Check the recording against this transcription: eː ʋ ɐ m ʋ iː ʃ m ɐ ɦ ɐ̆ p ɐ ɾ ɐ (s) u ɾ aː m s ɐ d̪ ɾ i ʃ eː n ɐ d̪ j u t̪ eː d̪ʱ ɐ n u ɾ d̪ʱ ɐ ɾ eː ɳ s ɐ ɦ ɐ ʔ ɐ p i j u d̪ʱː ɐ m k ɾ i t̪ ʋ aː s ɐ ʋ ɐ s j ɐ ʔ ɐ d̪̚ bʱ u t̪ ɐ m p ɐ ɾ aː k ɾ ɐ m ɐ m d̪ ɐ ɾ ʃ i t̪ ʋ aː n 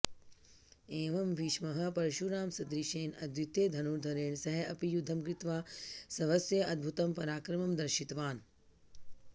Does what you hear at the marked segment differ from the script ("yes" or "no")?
yes